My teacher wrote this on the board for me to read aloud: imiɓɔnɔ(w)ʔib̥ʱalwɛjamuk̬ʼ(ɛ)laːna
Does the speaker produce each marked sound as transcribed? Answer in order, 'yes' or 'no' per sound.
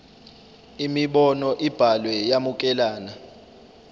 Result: no, yes

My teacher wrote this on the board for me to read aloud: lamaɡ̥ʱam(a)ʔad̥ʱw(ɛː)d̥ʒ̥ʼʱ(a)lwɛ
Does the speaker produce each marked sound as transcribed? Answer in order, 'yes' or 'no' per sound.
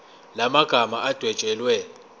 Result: yes, no, no

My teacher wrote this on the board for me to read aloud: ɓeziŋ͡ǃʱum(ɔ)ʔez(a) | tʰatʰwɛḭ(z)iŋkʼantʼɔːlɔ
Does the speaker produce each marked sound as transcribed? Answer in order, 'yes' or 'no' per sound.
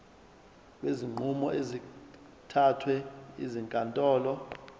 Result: yes, no, yes

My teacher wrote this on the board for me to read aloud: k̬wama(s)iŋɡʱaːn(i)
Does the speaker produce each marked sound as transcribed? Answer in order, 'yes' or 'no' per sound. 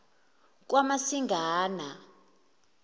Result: yes, no

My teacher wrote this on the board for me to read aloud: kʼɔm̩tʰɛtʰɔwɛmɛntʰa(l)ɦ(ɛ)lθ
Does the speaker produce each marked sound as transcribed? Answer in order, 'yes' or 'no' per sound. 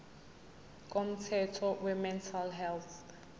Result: yes, yes

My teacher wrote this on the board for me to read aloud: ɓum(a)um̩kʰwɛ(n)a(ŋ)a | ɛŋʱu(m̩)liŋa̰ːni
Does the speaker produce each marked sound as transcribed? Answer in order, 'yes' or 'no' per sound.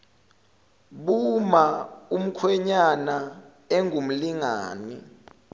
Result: yes, no, no, yes

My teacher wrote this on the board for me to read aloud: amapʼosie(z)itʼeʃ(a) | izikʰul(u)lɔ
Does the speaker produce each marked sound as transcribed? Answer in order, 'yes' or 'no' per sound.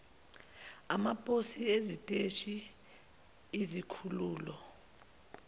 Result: yes, no, no

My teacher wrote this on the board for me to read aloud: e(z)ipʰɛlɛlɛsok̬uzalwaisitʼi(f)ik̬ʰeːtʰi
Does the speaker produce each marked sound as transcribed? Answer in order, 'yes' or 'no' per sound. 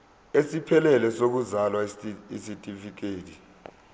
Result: no, yes

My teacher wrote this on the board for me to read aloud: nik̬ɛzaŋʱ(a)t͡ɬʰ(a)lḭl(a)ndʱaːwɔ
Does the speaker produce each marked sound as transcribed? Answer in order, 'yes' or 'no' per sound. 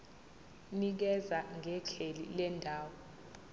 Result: no, no, no

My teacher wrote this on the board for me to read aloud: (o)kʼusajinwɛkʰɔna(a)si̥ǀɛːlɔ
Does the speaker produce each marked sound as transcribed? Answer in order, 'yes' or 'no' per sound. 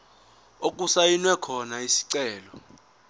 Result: yes, no

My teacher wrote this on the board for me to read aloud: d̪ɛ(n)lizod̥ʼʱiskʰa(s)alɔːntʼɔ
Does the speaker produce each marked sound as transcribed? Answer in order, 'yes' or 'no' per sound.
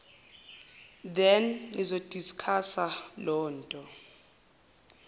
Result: yes, yes

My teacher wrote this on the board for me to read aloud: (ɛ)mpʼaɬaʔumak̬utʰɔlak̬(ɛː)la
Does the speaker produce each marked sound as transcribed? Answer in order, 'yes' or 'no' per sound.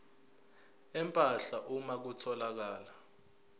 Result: yes, no

